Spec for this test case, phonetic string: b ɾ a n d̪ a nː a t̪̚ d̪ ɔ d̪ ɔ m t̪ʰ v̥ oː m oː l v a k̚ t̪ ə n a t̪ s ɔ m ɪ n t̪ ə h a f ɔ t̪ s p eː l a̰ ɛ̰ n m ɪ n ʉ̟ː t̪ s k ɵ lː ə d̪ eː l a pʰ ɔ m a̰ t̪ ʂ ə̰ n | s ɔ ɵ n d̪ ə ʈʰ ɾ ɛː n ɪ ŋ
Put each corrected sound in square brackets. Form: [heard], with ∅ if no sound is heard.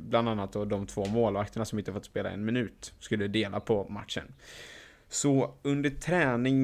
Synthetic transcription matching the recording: b [l] a n d̪ a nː a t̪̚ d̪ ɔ d̪ ɔ m t̪ʰ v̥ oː m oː l v a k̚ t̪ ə [ɳ] a [∅] s ɔ m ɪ n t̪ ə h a f ɔ t̪ s p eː l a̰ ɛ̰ n m ɪ n ʉ̟ː t̪ s k ɵ lː ə d̪ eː l a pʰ ɔ m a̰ t̪ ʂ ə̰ n | s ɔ ɵ n d̪ ə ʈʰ ɾ ɛː n ɪ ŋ